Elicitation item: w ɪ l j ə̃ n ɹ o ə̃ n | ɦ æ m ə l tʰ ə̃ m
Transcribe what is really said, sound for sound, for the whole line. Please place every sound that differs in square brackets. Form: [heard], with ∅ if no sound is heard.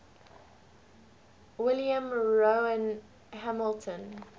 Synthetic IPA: w ɪ l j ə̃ [m] ɹ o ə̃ n | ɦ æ m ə l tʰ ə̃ [n]